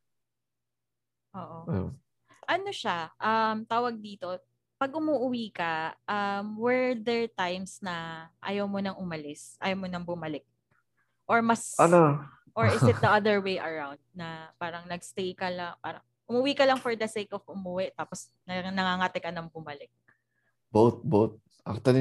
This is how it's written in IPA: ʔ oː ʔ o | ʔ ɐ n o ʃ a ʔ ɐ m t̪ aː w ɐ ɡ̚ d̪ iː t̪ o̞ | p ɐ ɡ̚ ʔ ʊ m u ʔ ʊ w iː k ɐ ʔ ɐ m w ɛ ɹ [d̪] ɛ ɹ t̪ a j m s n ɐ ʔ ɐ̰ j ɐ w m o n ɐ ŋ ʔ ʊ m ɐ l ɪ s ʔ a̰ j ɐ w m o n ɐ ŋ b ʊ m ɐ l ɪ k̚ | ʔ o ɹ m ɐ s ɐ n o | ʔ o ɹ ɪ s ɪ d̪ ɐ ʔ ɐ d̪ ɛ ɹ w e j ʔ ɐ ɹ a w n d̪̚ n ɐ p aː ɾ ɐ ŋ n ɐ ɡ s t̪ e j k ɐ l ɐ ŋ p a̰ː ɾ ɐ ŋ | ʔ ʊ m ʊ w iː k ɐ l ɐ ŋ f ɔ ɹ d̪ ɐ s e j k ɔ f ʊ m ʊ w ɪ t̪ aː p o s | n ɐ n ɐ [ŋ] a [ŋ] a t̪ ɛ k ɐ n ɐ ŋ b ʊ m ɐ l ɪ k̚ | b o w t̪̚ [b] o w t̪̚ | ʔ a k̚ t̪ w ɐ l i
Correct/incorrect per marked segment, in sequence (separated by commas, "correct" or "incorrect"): correct, correct, correct, correct